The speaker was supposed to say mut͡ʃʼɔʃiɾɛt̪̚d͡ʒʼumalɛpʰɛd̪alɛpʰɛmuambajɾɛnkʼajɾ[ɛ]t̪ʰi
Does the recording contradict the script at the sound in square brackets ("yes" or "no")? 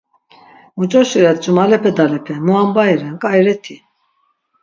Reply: no